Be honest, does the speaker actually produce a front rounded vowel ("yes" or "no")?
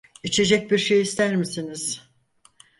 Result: no